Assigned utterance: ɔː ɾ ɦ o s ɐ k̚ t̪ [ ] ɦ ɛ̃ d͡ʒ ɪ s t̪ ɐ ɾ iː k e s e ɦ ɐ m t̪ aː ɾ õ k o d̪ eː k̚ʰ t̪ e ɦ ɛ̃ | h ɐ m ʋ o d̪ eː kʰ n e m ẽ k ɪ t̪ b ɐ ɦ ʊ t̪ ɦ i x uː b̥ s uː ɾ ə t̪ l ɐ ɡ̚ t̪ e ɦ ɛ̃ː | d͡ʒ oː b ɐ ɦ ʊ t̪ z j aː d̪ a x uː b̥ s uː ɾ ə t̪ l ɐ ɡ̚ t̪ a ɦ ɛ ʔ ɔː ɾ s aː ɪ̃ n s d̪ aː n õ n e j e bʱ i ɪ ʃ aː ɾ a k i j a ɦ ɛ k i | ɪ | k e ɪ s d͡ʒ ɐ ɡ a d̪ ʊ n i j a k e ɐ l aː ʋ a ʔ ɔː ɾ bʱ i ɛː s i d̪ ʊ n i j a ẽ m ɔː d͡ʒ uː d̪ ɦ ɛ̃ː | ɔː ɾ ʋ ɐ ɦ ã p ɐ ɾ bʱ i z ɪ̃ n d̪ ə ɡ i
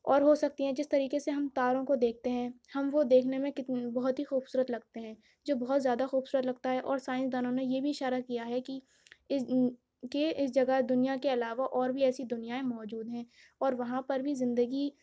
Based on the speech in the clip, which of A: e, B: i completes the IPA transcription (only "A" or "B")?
B